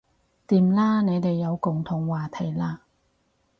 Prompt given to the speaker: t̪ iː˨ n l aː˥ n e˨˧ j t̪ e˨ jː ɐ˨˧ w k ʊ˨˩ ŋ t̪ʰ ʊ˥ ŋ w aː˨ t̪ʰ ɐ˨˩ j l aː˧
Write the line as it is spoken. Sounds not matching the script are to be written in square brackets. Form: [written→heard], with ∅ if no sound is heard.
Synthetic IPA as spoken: t̪ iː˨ [n→m] l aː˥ n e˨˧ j t̪ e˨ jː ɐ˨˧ w k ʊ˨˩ ŋ t̪ʰ [ʊ˥→ʊ˨˩] ŋ w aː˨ t̪ʰ ɐ˨˩ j l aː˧